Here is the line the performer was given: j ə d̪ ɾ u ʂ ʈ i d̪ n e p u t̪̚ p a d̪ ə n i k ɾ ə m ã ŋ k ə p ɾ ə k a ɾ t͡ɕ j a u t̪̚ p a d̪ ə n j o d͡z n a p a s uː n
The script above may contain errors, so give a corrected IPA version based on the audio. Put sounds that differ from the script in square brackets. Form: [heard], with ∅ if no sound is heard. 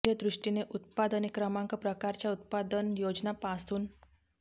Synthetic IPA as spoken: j ə d̪ ɾ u ʂ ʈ i [∅] n e [ʔ] u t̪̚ p a d̪ ə n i k ɾ ə m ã ŋ k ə p ɾ ə k a ɾ t͡ɕ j a u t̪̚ p a d̪ ə n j o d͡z n a p a s uː n